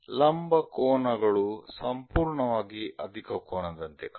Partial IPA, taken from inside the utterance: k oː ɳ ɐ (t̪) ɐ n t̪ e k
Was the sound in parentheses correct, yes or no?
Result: no